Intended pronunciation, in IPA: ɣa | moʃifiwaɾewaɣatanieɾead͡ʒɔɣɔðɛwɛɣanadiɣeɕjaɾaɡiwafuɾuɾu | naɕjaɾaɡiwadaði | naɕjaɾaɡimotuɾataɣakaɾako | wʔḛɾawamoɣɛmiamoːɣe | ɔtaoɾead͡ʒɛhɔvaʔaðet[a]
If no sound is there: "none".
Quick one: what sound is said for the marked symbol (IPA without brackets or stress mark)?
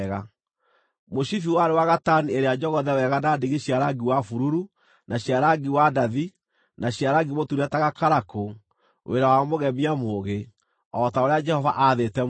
ɛ